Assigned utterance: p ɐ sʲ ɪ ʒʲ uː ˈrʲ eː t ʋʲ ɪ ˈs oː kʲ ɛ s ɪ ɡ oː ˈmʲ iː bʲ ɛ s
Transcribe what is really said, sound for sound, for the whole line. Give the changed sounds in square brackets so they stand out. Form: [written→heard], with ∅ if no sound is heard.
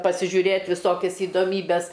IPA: p ɐ sʲ ɪ ʒʲ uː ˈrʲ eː t ʋʲ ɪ ˈs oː kʲ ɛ s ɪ [ɡ→d] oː ˈmʲ iː bʲ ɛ s